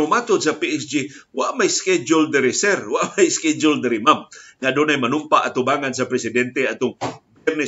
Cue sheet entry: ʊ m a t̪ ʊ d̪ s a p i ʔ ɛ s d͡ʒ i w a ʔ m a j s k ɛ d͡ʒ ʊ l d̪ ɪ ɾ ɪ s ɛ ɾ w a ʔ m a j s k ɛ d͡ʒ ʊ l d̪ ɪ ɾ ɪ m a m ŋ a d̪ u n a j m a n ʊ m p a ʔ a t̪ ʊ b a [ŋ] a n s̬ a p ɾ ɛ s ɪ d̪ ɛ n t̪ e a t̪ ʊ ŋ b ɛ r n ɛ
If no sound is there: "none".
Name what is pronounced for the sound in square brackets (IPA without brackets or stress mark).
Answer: ŋ